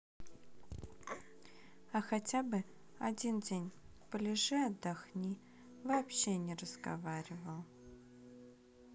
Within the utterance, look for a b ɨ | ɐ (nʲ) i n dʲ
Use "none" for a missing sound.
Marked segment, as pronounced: dʲ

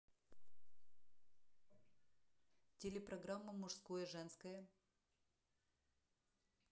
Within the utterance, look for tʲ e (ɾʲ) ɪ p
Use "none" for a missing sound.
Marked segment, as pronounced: lʲ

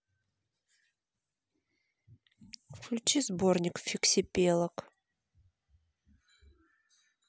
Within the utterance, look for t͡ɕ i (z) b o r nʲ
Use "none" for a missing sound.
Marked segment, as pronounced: z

